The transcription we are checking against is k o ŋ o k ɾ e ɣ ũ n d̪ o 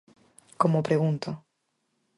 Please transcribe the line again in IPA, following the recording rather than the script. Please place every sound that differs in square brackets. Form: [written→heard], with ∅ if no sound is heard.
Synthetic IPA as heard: k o [ŋ→m] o [k→p] ɾ e ɣ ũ n [d̪→t̪] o